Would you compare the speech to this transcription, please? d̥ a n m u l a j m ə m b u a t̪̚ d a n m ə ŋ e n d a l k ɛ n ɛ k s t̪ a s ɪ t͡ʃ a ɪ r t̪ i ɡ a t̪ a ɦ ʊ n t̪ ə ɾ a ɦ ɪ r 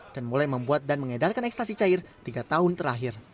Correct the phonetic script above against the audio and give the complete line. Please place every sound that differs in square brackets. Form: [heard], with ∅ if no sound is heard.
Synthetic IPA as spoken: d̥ a n m u l a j m ə m b u a t̪̚ d a n m ə ŋ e [∅] d a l k [a] n ɛ k s t̪ a s [i] t͡ʃ a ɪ r t̪ i ɡ a t̪ a ɦ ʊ n t̪ ə ɾ a ɦ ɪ r